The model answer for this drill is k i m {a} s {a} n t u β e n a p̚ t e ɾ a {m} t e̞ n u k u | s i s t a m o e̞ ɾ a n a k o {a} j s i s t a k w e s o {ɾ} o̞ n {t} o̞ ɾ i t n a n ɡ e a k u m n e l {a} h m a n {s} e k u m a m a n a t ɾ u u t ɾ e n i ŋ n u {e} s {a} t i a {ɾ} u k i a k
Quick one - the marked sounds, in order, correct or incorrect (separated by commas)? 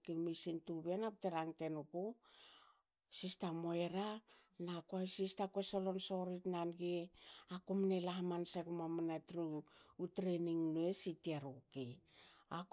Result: incorrect, incorrect, incorrect, correct, incorrect, incorrect, correct, correct, correct, incorrect, correct